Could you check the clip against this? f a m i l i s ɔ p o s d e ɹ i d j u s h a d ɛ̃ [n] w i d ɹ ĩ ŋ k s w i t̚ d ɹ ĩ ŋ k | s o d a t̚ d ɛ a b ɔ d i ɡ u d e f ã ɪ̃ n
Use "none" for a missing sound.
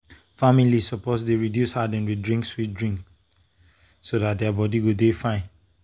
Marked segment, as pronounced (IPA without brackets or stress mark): n